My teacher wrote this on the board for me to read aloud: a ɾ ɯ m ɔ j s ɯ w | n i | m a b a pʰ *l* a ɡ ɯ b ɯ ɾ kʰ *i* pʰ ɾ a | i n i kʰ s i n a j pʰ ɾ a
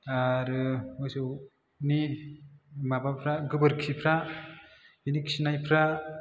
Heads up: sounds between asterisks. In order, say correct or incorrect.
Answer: incorrect, correct

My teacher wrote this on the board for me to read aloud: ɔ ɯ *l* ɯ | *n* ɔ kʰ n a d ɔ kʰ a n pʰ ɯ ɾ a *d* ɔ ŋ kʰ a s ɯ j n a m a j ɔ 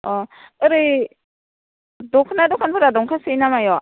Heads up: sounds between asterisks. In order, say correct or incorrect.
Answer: incorrect, incorrect, correct

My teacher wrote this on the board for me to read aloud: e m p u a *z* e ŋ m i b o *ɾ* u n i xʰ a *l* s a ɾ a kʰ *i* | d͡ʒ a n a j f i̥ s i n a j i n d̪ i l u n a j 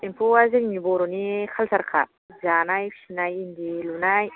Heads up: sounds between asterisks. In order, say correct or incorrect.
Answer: correct, correct, correct, incorrect

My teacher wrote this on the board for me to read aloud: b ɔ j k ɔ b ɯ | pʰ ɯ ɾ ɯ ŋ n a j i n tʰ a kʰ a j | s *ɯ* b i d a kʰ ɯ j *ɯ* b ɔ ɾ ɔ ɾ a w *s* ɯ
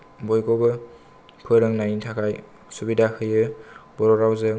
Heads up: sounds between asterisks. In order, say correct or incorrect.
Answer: incorrect, correct, incorrect

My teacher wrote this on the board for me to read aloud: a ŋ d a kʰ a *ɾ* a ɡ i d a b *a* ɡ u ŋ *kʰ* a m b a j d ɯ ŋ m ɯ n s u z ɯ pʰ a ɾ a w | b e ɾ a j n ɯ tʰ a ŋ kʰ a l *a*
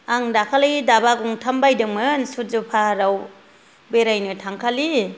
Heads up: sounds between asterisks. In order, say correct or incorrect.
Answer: incorrect, correct, incorrect, incorrect

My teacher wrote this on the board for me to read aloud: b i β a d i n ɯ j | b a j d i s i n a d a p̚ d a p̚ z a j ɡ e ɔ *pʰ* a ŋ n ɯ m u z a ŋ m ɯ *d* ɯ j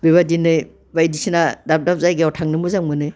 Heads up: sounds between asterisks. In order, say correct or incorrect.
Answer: incorrect, incorrect

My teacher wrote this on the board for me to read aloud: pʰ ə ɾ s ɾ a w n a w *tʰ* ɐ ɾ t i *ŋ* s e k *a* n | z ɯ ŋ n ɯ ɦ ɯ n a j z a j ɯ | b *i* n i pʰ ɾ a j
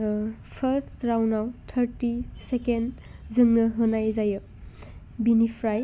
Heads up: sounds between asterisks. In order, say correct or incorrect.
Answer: correct, incorrect, incorrect, correct

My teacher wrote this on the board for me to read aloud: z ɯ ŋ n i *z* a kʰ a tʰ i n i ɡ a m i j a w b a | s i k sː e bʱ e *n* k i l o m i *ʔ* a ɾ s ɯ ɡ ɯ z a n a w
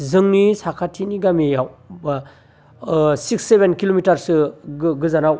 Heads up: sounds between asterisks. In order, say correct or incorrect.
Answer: incorrect, correct, incorrect

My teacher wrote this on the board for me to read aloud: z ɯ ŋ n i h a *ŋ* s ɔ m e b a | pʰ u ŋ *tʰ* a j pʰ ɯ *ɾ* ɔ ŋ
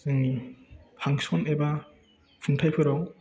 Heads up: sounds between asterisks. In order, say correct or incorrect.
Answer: correct, correct, correct

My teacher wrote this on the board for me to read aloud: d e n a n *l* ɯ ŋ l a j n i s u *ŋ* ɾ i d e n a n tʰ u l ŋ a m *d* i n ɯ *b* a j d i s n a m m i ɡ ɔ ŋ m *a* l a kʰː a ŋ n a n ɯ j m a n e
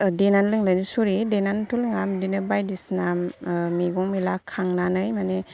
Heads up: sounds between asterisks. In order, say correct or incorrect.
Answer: correct, incorrect, correct, correct, incorrect

